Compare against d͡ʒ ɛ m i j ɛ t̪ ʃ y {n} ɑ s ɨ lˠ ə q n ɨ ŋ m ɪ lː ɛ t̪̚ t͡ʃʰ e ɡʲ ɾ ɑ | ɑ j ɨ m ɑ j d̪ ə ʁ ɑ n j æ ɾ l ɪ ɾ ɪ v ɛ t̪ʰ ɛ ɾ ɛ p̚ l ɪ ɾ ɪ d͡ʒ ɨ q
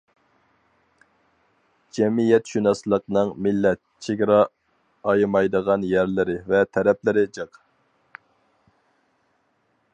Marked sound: correct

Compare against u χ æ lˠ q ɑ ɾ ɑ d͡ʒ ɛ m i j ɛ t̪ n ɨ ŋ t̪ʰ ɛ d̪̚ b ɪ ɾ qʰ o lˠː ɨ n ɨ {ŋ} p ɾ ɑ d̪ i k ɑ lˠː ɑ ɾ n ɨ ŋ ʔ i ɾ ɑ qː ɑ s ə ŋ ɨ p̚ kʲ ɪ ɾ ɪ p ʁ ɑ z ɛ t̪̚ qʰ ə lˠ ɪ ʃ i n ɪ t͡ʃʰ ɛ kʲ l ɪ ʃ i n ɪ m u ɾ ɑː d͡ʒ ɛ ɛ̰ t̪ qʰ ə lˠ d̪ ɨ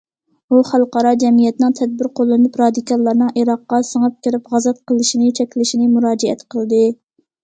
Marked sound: incorrect: none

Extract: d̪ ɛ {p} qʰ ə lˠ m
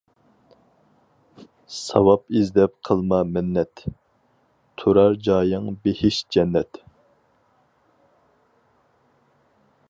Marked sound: correct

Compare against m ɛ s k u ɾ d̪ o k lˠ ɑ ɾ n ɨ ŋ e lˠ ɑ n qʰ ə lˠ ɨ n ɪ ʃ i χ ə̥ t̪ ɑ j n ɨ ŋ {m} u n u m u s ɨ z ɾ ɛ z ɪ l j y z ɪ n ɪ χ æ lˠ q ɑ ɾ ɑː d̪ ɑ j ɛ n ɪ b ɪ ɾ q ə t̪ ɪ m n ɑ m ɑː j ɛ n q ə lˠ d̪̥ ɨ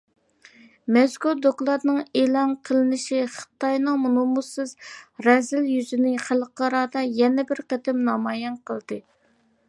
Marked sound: correct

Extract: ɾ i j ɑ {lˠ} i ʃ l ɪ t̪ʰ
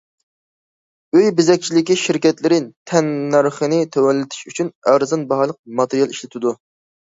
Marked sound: correct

